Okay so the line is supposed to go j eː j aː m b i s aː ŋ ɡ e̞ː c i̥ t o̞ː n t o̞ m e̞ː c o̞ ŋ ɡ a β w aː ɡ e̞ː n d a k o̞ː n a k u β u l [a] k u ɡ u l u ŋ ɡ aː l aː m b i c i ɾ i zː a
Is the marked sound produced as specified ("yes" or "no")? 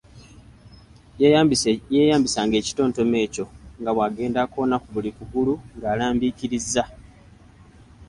no